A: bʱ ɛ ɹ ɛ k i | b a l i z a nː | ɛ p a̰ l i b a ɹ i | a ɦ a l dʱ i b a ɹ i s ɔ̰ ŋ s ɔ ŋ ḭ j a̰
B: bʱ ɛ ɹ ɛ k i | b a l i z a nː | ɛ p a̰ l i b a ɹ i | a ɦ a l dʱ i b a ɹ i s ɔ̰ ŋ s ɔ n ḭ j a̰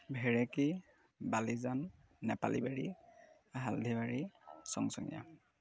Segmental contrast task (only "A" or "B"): A